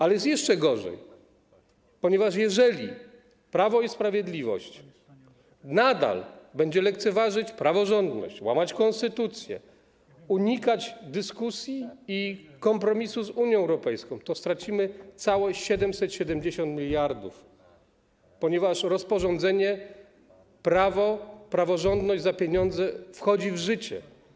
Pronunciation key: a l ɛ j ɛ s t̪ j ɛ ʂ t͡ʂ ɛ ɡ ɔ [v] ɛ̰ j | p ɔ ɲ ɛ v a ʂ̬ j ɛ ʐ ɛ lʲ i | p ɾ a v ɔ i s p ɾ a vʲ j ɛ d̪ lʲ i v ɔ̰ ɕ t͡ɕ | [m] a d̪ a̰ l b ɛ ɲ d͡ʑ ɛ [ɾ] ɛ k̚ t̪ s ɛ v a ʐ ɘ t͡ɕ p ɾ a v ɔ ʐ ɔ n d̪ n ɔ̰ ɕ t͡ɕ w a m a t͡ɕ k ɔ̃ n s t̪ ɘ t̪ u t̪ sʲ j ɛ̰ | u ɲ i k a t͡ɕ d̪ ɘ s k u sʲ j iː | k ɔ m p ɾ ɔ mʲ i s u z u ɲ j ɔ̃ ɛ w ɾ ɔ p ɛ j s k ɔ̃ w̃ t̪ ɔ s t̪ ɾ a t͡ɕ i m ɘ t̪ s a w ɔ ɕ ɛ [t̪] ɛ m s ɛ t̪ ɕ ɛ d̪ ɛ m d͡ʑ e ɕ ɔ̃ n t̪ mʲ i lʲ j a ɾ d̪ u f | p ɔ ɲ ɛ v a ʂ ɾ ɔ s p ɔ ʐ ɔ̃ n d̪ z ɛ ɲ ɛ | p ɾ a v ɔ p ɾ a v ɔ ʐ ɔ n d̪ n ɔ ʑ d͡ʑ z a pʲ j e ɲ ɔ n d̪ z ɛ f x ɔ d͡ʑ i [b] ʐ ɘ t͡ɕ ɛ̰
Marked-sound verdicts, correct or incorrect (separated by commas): incorrect, incorrect, incorrect, incorrect, incorrect